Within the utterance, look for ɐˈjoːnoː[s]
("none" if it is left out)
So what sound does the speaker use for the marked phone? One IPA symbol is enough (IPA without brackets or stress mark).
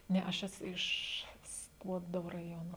none